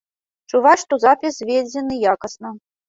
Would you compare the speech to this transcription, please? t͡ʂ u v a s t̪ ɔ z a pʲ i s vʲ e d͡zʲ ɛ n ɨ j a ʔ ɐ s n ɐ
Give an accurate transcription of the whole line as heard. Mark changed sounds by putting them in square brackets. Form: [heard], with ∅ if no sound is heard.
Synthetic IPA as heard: t͡ʂ u v a [ʂ] t̪ ɔ z a pʲ i s vʲ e d͡zʲ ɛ n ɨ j a [k] ɐ s n ɐ